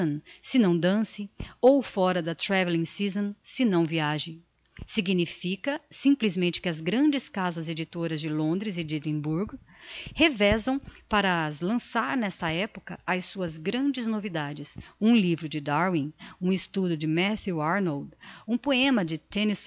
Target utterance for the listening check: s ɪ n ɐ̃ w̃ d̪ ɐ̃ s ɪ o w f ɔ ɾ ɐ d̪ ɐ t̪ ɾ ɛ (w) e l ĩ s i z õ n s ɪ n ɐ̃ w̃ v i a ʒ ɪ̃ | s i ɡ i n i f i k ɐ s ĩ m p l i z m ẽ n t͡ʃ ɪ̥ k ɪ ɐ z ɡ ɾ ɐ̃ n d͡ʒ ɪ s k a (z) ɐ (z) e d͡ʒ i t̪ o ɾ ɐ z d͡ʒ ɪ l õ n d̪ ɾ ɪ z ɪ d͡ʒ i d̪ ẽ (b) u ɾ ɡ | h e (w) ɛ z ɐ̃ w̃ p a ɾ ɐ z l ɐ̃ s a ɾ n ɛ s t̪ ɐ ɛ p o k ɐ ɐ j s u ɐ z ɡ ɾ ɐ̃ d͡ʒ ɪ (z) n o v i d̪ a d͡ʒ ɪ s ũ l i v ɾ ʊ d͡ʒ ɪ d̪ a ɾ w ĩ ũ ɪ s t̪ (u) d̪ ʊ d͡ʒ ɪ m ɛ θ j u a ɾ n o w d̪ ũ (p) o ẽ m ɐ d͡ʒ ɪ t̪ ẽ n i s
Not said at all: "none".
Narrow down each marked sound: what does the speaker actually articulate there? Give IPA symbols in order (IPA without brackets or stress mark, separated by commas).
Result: v, z, z, b, v, z, u, p